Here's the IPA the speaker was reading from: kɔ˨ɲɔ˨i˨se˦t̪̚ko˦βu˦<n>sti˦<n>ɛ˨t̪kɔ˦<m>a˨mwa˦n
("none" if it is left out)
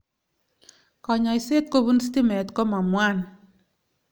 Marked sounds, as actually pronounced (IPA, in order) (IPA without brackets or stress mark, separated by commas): n, m, m